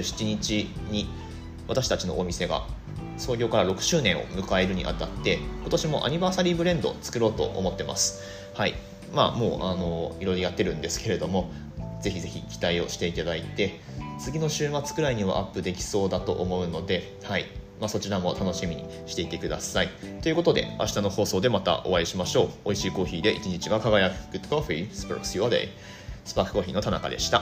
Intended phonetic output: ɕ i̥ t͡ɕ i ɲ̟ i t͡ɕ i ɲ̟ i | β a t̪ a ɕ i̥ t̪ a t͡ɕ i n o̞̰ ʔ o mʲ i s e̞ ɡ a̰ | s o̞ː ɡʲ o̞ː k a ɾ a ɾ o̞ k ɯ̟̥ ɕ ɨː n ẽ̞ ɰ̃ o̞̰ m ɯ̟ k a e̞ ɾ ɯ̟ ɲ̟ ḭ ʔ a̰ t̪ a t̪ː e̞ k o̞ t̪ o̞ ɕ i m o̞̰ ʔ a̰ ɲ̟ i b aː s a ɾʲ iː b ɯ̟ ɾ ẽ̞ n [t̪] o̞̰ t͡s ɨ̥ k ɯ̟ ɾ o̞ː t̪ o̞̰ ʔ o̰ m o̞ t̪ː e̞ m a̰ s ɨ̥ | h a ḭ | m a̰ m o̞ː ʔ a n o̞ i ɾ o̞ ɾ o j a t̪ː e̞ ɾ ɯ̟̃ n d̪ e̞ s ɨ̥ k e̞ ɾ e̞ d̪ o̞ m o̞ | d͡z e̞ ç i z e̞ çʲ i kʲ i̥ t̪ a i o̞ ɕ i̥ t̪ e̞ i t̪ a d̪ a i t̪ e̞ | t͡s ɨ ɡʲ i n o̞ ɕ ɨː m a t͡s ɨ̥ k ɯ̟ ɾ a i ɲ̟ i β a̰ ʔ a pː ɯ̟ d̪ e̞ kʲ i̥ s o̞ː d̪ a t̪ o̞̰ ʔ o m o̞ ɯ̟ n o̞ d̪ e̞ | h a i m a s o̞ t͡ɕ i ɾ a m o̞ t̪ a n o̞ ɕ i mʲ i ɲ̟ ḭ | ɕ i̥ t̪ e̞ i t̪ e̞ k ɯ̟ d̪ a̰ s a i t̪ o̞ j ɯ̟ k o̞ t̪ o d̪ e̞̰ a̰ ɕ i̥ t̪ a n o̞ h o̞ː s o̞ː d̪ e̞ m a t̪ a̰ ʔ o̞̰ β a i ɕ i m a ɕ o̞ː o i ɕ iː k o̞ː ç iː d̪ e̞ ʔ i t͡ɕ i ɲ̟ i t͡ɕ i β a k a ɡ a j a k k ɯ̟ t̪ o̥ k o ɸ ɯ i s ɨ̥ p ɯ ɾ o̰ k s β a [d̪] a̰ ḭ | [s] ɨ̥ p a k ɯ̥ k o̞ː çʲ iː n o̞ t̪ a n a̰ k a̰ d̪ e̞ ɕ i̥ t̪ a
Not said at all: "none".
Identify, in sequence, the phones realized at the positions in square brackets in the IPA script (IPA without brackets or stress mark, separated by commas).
d̪, d̪, s